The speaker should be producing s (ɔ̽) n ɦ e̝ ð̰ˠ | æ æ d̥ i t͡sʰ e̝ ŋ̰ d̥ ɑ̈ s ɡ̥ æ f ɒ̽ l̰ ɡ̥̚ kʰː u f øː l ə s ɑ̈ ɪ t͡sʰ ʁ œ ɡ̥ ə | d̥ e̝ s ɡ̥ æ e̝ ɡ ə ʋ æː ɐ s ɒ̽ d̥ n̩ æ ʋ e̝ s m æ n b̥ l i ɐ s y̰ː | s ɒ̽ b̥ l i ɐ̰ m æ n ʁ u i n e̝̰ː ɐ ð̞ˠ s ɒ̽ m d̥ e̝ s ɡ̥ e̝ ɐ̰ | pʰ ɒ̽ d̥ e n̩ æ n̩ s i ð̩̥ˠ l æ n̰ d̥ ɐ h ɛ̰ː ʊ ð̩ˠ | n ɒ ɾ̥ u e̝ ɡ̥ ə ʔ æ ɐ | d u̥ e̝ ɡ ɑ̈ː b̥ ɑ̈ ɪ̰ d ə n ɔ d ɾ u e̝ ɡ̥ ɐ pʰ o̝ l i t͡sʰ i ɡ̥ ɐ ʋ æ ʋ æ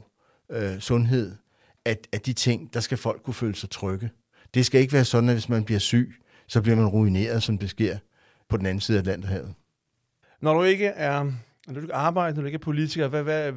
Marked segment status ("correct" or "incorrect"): correct